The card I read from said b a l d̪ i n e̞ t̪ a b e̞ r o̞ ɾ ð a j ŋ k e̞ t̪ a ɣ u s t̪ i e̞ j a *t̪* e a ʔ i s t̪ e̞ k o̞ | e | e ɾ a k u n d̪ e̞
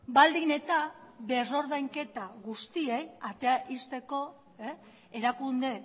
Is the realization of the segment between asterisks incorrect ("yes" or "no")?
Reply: no